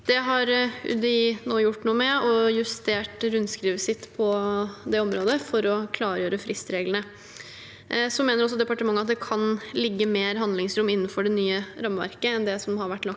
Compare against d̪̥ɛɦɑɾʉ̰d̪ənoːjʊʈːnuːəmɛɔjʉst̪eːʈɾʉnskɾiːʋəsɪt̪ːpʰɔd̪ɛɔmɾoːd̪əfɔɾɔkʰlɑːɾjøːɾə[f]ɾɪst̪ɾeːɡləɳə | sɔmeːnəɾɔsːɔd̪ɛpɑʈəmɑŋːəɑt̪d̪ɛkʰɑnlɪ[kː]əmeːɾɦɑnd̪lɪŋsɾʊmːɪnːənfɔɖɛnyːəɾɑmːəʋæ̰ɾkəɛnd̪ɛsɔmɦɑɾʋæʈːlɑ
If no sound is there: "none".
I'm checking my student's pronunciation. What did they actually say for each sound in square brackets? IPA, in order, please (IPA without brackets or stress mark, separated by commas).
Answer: f, ɡː